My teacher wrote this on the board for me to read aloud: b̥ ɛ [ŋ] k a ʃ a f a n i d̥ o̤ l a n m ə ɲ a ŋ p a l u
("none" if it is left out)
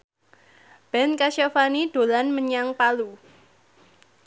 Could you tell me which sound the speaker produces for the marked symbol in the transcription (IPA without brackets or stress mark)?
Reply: n